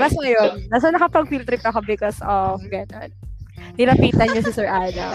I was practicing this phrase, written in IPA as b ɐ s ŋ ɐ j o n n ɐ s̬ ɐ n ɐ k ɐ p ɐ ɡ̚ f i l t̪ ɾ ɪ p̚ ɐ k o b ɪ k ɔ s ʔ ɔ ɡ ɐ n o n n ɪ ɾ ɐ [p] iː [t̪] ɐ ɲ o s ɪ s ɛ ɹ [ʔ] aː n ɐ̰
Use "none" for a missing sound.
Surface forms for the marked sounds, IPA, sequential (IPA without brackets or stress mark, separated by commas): p, t̪, ʔ